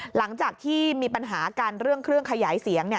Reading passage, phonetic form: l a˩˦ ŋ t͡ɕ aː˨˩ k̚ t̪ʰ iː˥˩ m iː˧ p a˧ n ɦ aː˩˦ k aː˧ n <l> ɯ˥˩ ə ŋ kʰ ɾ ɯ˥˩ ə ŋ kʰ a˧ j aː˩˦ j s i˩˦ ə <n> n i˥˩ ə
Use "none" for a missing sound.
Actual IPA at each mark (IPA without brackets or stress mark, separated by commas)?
ɾ, ŋ